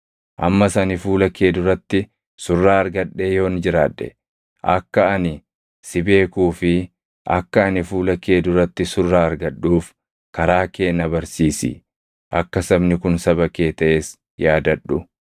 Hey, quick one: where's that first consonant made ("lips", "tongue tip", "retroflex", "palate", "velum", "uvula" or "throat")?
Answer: throat